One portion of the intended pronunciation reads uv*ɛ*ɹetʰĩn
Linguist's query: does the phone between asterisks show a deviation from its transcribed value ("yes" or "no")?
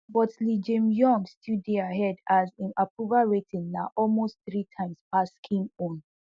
yes